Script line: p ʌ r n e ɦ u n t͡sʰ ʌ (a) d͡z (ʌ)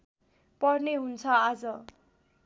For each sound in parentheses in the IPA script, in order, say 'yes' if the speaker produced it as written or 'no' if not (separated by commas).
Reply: yes, yes